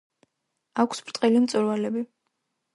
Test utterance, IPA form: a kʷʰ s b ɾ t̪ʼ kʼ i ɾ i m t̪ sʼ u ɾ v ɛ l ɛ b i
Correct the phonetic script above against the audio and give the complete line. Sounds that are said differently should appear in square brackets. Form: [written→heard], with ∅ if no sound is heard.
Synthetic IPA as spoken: a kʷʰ s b ɾ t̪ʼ [kʼ→qʼ] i [ɾ→l] i m t̪ sʼ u ɾ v [ɛ→a] l ɛ b i